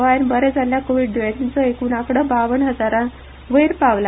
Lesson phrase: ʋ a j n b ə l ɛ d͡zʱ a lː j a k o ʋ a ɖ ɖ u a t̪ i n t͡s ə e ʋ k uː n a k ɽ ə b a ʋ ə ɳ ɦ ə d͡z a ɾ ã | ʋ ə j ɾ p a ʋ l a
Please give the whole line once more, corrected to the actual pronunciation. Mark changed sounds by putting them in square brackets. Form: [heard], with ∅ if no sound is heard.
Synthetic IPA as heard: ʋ a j n b ə [ɾ] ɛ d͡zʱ a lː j a k o ʋ [i] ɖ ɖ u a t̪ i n t͡s ə e [∅] k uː n a k ɽ ə b a ʋ ə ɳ ɦ ə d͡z a ɾ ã | ʋ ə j ɾ p a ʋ l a